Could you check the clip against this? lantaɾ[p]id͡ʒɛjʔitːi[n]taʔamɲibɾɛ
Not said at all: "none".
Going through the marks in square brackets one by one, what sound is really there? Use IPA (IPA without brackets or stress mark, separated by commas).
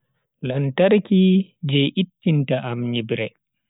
k, n